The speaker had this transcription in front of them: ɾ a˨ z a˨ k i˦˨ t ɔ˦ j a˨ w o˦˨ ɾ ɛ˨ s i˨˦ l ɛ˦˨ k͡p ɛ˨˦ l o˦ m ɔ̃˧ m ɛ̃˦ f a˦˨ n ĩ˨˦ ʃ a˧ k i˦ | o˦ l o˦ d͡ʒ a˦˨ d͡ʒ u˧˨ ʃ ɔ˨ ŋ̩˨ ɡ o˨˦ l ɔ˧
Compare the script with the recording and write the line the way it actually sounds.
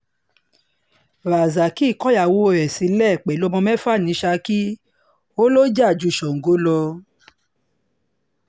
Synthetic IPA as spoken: ɾ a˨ z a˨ k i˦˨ k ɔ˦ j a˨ w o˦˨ ɾ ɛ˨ s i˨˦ l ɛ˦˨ k͡p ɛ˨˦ l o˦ m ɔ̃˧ m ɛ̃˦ f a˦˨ n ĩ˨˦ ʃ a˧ k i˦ | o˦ l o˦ d͡ʒ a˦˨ d͡ʒ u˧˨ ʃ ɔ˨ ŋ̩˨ ɡ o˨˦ l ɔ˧